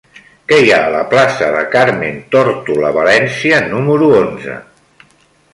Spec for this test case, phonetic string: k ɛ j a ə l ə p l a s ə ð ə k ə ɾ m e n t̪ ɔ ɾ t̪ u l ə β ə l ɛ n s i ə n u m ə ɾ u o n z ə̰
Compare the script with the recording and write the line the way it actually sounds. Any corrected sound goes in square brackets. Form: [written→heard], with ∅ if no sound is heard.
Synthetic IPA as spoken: k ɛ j a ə l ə p l a s ə ð ə k [ə→a] ɾ m e n t̪ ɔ ɾ t̪ u l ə β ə l ɛ n s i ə n u m ə ɾ u o n z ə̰